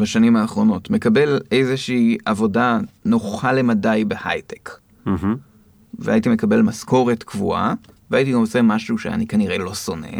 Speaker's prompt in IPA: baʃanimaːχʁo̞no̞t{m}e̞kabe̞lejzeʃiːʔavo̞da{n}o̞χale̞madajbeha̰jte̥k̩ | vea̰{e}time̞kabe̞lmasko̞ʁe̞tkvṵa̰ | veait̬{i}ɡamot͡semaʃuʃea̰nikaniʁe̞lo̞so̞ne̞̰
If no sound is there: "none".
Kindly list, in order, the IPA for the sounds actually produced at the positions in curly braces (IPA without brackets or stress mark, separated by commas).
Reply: m, n, i, i